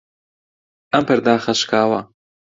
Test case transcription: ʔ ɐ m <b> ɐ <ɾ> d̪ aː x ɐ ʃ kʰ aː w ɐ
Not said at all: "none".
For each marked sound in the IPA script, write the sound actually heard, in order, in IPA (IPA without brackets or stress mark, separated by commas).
p, ɾ